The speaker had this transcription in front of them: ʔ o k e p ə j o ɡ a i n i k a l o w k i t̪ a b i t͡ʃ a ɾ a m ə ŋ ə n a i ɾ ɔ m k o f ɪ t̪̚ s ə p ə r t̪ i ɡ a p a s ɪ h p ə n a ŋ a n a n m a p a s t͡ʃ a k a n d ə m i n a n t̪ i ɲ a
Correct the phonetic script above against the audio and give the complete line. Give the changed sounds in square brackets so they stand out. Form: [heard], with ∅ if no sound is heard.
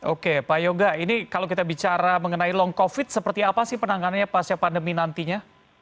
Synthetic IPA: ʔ o k e p [a] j o ɡ a i n i k a l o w k i t̪ a b i t͡ʃ a ɾ a m ə ŋ ə n a i [l] ɔ [ŋ] k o f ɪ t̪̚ s ə p ə r t̪ i [∅] a p a s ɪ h p ə n a ŋ a n a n [ɲ] a p a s t͡ʃ a [p] a n d ə m i n a n t̪ i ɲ a